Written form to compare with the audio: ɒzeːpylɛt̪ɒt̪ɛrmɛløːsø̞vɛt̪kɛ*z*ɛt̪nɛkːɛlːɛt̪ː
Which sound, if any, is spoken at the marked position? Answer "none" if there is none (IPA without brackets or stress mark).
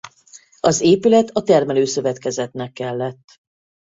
z